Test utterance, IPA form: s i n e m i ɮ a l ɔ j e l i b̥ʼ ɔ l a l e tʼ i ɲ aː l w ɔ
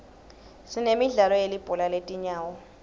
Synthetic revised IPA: s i n e m i ɮ a l ɔ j e l i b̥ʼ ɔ l a l e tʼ i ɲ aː w ɔ